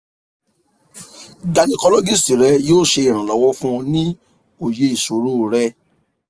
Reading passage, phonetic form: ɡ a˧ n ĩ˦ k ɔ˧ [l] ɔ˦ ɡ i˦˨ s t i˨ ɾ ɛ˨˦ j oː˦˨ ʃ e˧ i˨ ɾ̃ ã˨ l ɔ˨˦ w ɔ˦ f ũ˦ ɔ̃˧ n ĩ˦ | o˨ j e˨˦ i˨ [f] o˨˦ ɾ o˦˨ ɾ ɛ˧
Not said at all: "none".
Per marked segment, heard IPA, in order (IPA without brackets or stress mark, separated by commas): l, s